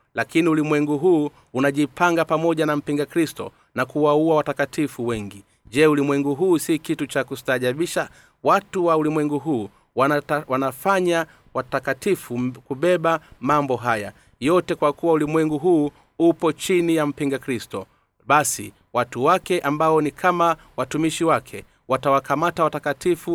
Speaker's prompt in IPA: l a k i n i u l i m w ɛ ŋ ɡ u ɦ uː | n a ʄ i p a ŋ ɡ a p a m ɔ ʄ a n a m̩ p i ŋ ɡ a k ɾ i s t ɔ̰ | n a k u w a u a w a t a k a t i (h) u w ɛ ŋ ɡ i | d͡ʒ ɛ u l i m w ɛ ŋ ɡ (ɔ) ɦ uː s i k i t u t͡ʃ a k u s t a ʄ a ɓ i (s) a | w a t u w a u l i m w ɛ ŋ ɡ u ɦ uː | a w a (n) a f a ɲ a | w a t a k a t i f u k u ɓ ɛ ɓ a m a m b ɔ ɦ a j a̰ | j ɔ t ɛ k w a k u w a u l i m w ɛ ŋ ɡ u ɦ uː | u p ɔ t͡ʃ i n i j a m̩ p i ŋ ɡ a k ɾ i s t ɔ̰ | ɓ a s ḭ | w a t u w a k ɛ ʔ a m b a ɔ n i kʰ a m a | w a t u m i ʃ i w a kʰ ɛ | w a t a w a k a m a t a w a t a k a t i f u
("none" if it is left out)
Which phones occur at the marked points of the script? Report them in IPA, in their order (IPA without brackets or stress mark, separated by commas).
f, u, ʃ, n